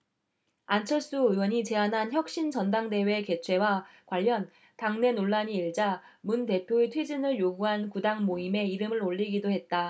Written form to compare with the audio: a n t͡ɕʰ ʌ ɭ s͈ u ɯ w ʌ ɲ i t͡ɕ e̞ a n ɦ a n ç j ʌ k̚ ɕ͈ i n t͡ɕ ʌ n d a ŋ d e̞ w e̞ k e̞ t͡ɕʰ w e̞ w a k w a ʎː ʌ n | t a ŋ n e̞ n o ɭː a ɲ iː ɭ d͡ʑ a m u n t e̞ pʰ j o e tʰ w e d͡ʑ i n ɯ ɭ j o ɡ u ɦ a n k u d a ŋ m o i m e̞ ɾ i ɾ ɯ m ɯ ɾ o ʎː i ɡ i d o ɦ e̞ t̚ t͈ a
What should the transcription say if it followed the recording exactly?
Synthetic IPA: a n t͡ɕʰ ʌ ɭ s͈ u ɯ w ʌ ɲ i t͡ɕ e̞ a n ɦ a n ç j ʌ k̚ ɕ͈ i n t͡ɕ ʌ n d a ŋ d e̞ w e̞ k e̞ t͡ɕʰ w e̞ w a k w a ʎː ʌ n | t a ŋ n e̞ n o ɭː a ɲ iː ɭ d͡ʑ a m u n t e̞ pʰ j o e tʰ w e d͡ʑ i n ɯ ɭ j o ɡ u ɦ a n k u d a ŋ m o i m e̞ i ɾ ɯ m ɯ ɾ o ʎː i ɡ i d o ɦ e̞ t̚ t͈ a